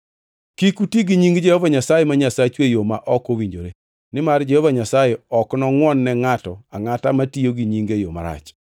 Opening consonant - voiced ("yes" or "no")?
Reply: no